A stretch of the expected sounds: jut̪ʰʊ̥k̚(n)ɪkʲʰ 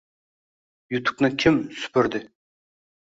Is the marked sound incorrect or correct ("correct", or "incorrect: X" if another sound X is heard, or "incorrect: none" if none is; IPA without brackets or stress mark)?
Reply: correct